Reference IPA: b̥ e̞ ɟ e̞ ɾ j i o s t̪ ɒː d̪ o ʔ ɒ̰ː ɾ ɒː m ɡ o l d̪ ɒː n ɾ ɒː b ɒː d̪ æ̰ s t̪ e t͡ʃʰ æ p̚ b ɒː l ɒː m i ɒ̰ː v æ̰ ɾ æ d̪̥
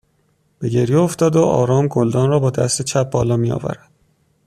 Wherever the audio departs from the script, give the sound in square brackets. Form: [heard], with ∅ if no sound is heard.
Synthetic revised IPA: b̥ e̞ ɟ e̞ ɾ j [e] o [f] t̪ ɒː d̪ o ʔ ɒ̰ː ɾ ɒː m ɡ o l d̪ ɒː n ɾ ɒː b ɒː d̪ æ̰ s t̪ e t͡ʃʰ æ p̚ b ɒː l ɒː m i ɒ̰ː v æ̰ ɾ æ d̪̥